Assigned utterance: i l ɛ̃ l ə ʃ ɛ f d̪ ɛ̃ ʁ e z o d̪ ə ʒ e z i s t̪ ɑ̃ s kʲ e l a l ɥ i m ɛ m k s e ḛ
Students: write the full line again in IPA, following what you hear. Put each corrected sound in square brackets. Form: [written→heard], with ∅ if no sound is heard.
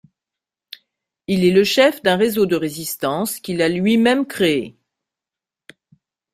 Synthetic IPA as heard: i l [ɛ̃→ɛ] l ə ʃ ɛ f d̪ ɛ̃ ʁ e z o d̪ ə [ʒ→ʁ] e z i s t̪ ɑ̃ s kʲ [e→i] l a l ɥ i m ɛ m k [s→χ] e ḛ